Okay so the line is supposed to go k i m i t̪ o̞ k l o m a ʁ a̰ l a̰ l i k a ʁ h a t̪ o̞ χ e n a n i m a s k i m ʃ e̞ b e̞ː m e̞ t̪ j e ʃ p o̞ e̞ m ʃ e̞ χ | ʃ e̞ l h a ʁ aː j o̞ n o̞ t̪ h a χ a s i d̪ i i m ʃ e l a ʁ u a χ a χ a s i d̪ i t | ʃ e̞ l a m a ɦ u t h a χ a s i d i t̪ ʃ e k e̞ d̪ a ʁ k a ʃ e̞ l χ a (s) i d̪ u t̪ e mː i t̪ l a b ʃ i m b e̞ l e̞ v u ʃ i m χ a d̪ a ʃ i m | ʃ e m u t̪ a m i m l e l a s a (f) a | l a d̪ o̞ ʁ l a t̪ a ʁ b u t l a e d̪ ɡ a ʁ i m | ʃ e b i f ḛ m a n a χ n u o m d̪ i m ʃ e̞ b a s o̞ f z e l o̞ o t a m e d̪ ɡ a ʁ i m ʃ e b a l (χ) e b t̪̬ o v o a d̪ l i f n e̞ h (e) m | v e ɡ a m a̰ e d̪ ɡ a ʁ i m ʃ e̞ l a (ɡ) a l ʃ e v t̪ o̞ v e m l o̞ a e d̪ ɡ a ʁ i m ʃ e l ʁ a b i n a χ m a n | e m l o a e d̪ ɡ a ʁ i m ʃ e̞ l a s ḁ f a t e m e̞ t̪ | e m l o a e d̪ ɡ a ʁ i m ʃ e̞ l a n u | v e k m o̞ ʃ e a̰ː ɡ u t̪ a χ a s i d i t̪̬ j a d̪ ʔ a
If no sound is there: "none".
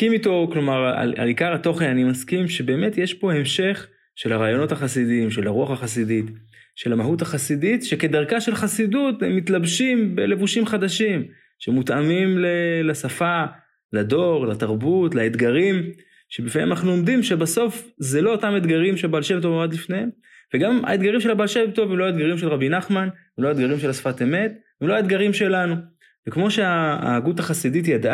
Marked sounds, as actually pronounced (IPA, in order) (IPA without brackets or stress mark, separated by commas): s, f, ʃ, e, b